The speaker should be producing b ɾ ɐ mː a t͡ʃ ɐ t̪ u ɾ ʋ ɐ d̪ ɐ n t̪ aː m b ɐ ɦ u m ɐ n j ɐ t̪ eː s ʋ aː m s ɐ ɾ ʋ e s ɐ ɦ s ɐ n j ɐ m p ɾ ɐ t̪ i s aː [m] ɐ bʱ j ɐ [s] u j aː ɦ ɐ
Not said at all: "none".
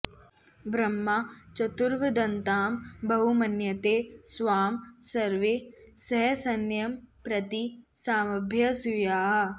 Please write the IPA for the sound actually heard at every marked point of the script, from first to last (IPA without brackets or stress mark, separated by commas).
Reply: m, s